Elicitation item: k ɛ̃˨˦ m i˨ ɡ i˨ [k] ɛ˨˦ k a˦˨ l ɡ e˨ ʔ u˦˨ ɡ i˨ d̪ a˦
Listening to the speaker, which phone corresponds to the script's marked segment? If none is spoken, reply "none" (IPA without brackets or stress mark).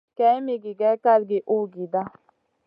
ɡ